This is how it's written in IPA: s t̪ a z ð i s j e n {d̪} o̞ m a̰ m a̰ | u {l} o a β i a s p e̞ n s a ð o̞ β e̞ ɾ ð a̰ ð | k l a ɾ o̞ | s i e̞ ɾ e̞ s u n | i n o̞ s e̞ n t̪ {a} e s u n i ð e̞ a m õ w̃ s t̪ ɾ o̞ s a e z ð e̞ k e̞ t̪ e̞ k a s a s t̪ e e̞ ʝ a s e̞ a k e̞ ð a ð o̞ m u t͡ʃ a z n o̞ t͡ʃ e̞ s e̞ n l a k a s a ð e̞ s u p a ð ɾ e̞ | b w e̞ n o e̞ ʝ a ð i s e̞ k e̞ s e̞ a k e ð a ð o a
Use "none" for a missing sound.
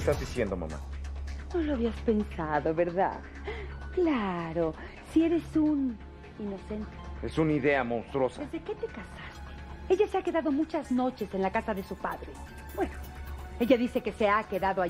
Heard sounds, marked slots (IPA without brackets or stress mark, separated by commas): d̪, l, e